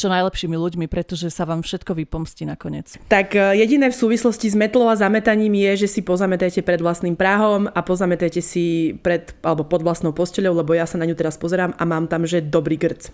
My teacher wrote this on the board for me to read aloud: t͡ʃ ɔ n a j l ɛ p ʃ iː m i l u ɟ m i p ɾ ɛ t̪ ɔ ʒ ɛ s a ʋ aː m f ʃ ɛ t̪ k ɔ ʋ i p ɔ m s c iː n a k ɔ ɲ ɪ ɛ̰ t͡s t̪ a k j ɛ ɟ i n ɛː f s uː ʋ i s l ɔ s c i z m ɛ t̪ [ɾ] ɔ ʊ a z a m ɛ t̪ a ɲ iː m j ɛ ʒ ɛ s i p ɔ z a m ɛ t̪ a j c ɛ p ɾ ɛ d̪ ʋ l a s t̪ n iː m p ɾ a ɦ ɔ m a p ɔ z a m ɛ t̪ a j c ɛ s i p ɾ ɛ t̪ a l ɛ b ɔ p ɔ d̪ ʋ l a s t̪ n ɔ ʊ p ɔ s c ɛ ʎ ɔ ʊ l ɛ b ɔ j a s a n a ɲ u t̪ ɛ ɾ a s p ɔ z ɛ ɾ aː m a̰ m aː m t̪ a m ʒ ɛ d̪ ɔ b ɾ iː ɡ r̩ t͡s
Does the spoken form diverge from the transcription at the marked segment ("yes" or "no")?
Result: yes